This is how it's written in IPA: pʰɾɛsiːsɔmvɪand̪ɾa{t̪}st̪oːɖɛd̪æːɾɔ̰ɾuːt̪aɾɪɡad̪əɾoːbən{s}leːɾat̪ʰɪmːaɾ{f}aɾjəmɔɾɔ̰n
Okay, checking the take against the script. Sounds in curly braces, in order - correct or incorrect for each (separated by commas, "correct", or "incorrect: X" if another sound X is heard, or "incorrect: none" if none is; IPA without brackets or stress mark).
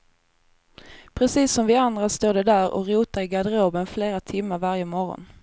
incorrect: none, incorrect: f, incorrect: v